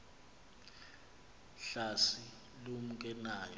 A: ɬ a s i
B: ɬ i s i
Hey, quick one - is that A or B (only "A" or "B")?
A